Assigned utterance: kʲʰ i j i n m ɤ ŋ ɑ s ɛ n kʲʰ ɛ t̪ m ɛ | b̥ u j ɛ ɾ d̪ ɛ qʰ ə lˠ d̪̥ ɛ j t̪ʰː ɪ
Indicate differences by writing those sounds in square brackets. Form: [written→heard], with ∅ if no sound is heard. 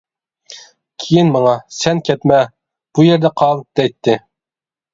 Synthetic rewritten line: kʲʰ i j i n m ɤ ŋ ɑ s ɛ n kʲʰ ɛ t̪ m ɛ | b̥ u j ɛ ɾ d̪ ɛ qʰ [ə→ɑ] lˠ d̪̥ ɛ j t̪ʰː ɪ